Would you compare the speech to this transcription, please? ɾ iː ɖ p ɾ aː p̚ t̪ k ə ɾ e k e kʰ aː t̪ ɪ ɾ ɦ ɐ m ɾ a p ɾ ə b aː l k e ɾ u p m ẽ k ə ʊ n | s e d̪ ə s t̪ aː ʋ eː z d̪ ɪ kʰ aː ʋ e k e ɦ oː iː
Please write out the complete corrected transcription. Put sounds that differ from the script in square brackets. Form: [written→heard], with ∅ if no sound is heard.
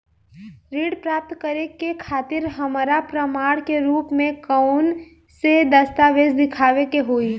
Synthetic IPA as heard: ɾ iː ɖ p ɾ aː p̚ t̪ k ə ɾ e k e kʰ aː t̪ ɪ ɾ ɦ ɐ m ɾ a p ɾ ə [b→m] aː [l→ɽ] k e ɾ [u→uː] p m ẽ k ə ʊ n | s e d̪ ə s t̪ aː ʋ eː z d̪ ɪ kʰ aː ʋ e k e ɦ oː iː